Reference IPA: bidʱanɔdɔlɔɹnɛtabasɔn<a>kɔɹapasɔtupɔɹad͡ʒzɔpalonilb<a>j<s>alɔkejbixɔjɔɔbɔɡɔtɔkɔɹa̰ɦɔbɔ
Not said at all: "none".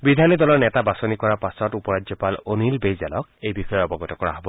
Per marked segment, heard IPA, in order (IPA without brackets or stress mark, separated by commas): i, e, z